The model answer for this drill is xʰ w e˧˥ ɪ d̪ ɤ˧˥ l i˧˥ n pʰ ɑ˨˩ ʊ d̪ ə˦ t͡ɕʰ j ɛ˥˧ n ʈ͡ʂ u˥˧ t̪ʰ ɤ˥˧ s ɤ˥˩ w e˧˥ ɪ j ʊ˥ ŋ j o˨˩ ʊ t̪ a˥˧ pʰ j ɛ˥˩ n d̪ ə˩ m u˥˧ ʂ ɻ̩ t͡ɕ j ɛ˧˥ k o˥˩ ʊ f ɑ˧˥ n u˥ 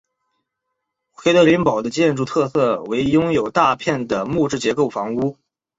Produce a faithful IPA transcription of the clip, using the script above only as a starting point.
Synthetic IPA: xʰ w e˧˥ ɪ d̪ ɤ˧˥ l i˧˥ n p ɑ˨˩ ʊ d̪ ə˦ t͡ɕ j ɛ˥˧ n ʈ͡ʂ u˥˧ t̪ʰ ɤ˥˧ s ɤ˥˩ w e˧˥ ɪ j ʊ˥ ŋ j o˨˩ ʊ t̪ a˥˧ pʰ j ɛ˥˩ n d̪ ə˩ m u˥˧ ʈ͡ʂ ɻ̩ t͡ɕ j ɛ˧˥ k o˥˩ ʊ f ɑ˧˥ ŋ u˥